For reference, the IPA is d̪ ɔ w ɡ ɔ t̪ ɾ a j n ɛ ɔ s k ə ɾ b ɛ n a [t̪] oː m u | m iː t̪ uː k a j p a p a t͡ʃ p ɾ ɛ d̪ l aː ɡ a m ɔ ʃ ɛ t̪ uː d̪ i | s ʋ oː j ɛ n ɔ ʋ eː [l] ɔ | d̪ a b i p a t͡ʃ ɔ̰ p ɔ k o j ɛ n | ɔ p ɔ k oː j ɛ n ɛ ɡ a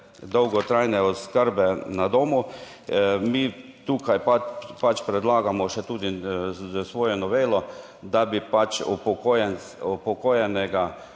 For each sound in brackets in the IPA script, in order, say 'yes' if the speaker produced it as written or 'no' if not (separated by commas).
no, yes